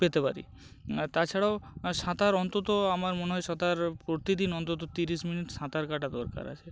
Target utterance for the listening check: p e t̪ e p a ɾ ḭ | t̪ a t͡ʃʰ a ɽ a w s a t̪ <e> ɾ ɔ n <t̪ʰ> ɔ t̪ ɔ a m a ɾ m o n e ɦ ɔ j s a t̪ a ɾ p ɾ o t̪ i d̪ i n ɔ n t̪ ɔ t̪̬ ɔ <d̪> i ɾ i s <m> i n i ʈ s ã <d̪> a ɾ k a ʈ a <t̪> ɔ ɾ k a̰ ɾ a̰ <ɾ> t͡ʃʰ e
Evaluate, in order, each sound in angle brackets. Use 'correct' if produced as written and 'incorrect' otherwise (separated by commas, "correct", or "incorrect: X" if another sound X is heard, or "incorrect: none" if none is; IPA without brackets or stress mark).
incorrect: a, incorrect: t̪, incorrect: t̪, correct, incorrect: t̪, incorrect: d̪, incorrect: none